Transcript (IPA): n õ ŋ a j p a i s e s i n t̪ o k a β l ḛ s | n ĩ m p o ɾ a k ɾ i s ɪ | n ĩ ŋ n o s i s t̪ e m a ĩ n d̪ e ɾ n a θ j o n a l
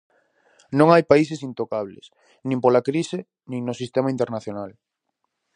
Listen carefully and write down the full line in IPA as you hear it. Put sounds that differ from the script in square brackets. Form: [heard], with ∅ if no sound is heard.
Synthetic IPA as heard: n õ ŋ a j p a i s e s i n t̪ o k a β l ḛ s | n ĩ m p o [l] a k ɾ i s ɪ | n ĩ ŋ n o s i s t̪ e m a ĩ n [t̪] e ɾ n a θ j o n a l